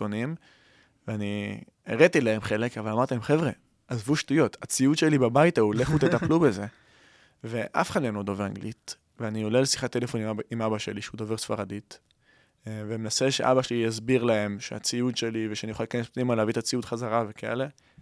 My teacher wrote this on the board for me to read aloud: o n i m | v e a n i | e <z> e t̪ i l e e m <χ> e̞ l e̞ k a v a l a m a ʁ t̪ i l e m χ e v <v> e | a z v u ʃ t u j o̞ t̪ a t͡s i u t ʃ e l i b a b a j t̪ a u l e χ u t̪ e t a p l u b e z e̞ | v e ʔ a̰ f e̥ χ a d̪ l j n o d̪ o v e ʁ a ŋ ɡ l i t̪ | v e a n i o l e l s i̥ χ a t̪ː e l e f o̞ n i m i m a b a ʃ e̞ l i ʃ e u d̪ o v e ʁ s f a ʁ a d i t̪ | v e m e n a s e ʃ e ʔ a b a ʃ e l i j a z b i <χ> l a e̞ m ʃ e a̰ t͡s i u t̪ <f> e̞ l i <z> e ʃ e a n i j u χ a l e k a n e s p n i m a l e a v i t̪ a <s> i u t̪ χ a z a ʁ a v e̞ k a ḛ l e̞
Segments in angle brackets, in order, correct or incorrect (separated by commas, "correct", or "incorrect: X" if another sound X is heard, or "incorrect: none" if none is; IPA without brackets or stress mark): incorrect: ʁ, correct, incorrect: ʁ, incorrect: ʁ, incorrect: ʃ, incorrect: v, incorrect: t͡s